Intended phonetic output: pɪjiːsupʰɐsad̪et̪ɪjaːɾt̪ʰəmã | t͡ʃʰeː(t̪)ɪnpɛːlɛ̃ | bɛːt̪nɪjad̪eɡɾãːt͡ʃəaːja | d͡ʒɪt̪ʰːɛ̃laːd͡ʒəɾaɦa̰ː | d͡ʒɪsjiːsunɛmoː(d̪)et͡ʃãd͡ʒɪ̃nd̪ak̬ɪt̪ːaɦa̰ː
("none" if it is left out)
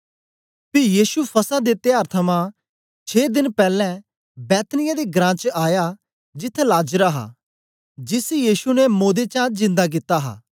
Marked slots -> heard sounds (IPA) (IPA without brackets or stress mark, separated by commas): d̪, d̪